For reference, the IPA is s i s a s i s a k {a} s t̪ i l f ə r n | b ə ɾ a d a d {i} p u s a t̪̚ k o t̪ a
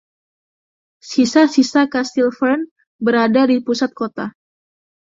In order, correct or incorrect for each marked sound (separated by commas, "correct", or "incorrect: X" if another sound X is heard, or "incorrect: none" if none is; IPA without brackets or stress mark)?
correct, correct